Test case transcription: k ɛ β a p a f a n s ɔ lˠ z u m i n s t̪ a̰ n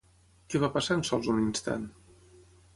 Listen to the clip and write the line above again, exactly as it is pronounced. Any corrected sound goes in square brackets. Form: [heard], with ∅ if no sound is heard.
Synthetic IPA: k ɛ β a p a [s] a n s ɔ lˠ z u [n] i n s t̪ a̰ n